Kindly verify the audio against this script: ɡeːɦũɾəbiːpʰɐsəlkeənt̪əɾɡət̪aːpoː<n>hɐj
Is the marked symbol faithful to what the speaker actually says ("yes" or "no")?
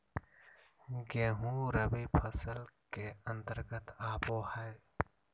no